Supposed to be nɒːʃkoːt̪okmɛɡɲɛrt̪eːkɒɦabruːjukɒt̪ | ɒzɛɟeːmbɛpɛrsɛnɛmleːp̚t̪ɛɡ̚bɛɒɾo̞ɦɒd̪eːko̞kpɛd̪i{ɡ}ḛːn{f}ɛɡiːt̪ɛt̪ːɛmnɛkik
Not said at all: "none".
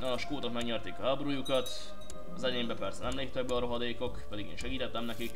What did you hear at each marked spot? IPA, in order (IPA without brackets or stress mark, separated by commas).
ɡ, ʃ